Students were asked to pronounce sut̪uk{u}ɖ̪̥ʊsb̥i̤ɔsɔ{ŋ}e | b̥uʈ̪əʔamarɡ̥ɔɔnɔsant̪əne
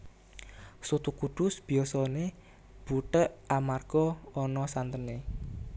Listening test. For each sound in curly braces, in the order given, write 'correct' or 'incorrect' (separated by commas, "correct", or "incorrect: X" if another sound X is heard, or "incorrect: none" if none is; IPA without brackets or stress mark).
correct, incorrect: n